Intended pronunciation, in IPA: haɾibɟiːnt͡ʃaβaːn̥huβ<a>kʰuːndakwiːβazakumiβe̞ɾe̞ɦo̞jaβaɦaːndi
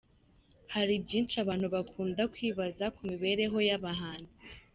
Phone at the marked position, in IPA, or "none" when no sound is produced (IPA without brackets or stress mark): a